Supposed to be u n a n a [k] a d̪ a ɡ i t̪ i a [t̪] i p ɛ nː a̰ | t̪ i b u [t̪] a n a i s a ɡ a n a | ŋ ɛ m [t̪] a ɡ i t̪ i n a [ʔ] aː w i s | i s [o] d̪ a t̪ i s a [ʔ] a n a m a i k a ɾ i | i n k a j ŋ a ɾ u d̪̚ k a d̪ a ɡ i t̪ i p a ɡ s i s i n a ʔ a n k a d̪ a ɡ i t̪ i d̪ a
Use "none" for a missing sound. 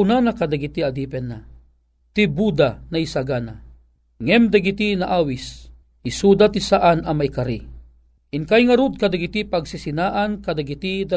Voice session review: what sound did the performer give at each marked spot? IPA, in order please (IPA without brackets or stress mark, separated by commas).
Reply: k, d̪, d̪, d̪, ʔ, u, ʔ